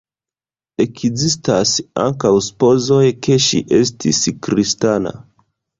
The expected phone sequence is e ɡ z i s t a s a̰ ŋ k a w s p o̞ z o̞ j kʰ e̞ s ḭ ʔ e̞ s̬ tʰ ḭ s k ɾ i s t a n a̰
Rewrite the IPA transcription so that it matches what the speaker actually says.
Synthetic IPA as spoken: e k z i s t a s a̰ ŋ k a w s p o̞ z o̞ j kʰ e̞ ʃ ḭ ʔ e̞ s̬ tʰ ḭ s k ɾ i s t a n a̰